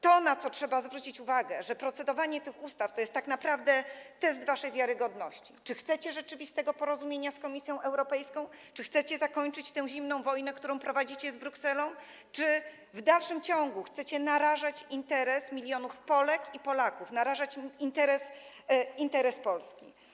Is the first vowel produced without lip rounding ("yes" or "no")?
no